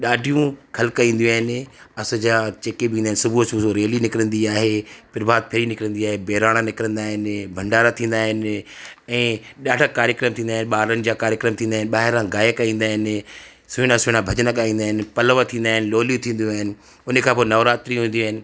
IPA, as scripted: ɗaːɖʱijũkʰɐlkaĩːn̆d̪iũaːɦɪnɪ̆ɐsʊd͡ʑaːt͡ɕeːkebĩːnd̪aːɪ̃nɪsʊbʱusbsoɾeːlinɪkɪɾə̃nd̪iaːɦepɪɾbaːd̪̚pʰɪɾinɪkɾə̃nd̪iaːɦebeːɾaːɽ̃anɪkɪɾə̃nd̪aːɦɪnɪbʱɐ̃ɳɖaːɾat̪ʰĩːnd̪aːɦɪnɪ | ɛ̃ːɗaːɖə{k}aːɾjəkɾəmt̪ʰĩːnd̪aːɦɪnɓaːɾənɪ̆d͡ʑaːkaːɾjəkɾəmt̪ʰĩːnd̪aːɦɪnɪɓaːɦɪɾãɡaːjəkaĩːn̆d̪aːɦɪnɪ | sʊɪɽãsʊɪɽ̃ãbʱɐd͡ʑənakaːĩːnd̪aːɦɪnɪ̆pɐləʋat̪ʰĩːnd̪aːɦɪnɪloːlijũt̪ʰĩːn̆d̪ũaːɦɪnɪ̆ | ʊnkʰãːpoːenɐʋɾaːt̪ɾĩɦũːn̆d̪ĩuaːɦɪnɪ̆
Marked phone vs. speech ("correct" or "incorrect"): correct